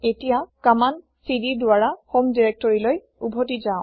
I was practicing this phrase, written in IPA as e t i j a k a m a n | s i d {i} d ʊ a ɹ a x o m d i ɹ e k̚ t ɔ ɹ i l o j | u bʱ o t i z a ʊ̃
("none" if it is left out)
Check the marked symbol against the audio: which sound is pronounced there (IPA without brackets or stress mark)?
i